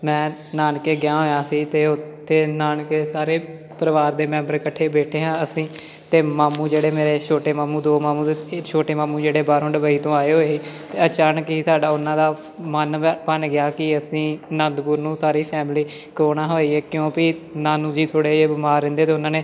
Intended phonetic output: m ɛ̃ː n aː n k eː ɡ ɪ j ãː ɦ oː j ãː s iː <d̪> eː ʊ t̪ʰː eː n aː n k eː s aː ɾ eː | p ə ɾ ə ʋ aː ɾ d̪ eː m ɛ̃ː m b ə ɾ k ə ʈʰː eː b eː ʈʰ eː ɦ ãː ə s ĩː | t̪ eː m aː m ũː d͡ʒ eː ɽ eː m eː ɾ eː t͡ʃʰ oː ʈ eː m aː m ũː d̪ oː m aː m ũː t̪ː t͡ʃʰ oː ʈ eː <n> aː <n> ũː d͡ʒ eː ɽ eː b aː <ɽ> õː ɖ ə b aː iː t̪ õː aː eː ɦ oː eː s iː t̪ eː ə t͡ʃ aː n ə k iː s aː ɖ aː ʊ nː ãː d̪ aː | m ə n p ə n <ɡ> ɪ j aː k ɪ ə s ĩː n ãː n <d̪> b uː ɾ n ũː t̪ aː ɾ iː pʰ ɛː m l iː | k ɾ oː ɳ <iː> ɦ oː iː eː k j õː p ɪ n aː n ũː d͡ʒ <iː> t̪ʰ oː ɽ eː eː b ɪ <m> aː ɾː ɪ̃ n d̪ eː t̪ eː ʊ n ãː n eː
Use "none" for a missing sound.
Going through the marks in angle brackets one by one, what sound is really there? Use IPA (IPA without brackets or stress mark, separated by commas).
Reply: t̪, m, m, ɾ, ɡ, d̪, aː, iː, m